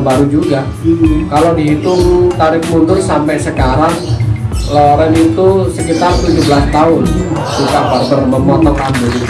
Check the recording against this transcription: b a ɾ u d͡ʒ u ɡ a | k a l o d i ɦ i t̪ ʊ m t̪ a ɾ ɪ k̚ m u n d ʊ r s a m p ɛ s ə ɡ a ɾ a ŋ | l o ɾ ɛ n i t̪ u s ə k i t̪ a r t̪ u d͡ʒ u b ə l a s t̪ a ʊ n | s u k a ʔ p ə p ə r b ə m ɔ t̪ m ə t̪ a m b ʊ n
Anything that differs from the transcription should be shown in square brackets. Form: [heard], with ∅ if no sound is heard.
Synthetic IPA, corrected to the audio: b a ɾ u d͡ʒ u ɡ a | k a l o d i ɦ i t̪ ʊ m t̪ a ɾ ɪ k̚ m u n d ʊ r s a m p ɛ s ə [k] a ɾ a ŋ | l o ɾ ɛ n i t̪ u s ə k i t̪ a r t̪ u d͡ʒ u b ə l a s t̪ a ʊ n | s u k a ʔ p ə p ə r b ə m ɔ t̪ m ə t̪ a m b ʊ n